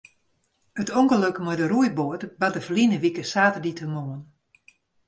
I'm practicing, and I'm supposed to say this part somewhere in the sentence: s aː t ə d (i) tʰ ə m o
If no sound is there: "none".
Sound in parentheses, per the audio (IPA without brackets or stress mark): i